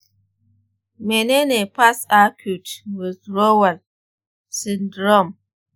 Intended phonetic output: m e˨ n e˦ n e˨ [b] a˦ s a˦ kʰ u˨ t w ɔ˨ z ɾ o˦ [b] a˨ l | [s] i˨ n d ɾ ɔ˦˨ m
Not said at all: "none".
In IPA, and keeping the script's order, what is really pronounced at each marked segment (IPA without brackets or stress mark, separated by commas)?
p, w, s